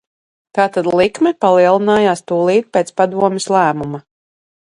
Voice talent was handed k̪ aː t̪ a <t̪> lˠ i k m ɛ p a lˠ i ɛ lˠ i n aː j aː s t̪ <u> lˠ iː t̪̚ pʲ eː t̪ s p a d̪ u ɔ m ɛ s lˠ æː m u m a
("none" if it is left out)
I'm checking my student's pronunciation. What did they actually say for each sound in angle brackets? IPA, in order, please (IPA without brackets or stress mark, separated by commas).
d̪, uː